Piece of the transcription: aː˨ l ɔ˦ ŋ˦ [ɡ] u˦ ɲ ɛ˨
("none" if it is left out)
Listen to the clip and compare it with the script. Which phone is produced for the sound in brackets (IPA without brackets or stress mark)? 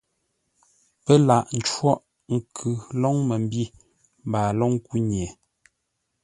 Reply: k